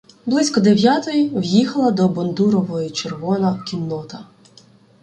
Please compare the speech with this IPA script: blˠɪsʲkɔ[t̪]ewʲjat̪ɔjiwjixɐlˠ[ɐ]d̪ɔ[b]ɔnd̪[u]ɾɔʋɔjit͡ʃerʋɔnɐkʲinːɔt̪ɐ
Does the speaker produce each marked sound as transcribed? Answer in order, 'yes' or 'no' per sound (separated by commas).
no, yes, yes, yes